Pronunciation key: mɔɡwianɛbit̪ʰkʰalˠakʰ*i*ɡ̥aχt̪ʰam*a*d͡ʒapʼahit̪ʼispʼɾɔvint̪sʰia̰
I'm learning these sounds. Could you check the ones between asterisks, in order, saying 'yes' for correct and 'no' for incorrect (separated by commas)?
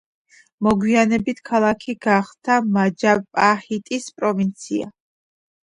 yes, yes